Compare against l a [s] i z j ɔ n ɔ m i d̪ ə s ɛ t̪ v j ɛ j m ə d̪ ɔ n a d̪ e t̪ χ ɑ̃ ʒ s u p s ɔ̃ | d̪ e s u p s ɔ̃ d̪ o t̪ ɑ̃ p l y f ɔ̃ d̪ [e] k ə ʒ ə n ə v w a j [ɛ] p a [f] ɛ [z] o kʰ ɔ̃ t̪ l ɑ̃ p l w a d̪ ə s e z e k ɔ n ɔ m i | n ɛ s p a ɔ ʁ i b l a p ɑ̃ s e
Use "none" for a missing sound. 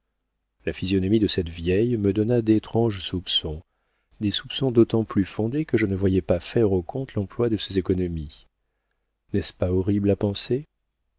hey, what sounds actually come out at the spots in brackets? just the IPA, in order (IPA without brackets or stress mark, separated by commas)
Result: f, e, ɛ, f, ʁ